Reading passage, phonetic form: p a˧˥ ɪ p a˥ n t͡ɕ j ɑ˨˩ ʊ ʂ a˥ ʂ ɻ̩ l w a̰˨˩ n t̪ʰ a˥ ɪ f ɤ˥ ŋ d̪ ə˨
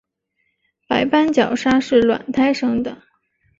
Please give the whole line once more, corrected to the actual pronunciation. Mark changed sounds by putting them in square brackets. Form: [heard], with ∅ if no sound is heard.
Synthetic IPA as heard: p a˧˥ ɪ p a˥ n t͡ɕ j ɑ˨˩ ʊ ʂ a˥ ʂ ɻ̩ l w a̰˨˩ n t̪ʰ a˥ ɪ [ʂ] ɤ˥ ŋ d̪ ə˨